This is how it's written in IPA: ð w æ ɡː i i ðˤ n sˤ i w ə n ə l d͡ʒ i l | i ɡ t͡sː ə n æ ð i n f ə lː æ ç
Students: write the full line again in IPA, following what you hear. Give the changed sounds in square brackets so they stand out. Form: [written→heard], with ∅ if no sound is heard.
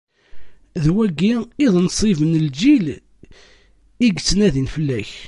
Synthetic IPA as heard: ð w æ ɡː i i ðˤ n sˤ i [w→v] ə n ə l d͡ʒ i l | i ɡ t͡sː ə n æ ð i n f ə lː æ ç